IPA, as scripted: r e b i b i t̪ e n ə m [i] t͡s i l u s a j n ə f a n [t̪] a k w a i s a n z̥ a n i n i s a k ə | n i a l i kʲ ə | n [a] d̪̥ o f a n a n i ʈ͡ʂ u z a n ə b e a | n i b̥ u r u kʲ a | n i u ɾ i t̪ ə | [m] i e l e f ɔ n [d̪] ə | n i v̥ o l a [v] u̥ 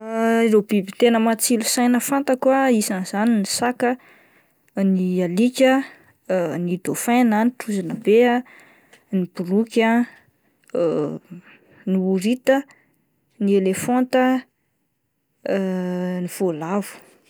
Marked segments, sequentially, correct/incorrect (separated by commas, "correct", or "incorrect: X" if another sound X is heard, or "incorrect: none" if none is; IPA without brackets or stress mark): incorrect: a, correct, incorrect: i, incorrect: n, incorrect: t̪, correct